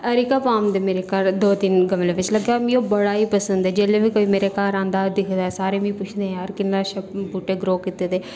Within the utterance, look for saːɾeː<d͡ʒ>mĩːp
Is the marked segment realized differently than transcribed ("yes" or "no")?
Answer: yes